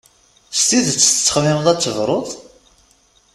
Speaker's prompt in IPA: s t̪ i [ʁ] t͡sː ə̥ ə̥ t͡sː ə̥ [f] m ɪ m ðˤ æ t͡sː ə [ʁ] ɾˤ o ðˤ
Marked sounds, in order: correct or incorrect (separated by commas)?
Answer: incorrect, incorrect, incorrect